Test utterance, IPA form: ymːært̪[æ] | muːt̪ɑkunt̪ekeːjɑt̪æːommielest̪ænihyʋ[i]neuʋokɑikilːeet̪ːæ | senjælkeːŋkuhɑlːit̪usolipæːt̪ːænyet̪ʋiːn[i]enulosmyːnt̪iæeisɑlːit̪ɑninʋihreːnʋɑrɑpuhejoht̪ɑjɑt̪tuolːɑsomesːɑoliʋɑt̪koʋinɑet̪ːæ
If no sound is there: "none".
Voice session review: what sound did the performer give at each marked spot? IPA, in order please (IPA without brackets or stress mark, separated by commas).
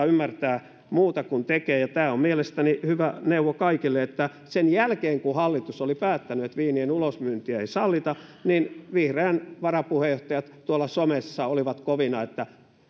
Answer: æː, æ, i